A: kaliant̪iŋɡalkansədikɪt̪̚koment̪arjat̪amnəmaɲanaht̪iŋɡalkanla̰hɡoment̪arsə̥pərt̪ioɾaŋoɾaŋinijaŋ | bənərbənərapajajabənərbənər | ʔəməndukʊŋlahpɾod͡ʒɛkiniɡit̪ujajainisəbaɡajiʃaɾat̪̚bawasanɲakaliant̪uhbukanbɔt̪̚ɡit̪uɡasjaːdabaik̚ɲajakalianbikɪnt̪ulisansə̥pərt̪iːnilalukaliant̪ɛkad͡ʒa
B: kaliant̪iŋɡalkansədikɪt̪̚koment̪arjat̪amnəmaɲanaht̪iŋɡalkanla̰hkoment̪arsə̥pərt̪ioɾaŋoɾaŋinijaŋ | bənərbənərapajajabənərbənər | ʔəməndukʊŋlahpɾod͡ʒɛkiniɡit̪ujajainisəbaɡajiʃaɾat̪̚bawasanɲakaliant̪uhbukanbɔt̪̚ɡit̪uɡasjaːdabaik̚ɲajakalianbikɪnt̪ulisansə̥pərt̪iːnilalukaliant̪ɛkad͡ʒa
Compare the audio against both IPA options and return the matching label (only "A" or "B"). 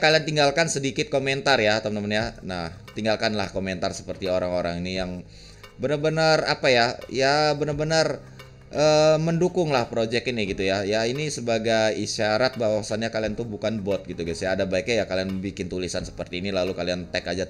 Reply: B